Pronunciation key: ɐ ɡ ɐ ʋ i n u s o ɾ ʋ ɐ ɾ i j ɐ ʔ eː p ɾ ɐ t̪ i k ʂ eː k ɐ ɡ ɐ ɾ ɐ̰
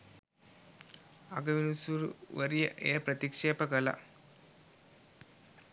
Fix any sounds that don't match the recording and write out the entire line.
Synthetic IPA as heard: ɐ ɡ ɐ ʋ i n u s u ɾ ʋ ɐ ɾ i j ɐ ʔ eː p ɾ ɐ t̪ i k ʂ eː p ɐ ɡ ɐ l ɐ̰